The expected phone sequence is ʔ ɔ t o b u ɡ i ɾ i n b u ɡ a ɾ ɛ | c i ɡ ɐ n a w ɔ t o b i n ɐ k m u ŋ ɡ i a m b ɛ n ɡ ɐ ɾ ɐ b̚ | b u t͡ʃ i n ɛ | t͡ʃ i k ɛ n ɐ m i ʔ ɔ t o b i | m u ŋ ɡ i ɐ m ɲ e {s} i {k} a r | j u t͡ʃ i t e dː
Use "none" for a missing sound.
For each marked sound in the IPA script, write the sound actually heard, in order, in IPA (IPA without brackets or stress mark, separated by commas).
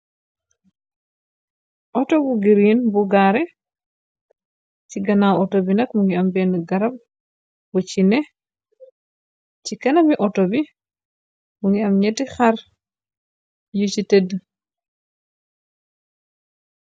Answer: t, x